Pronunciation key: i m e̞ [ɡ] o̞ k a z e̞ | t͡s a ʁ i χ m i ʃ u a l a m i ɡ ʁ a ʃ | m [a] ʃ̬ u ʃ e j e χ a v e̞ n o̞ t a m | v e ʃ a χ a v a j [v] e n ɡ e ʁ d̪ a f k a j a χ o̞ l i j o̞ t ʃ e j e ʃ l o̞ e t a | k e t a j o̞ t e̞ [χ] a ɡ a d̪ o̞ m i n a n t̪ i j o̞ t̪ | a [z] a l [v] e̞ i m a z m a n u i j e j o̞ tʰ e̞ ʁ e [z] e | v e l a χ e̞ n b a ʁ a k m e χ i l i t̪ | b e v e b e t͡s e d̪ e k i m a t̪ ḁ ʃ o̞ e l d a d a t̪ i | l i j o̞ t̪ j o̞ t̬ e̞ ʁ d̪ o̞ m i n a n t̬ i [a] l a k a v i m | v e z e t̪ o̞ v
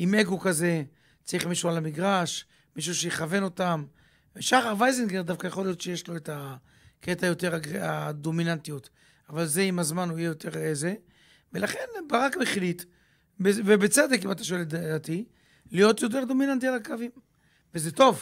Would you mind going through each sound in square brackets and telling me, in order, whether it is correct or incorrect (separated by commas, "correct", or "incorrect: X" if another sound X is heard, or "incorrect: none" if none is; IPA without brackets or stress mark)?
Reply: correct, incorrect: i, incorrect: z, incorrect: ʁ, incorrect: v, incorrect: z, correct, correct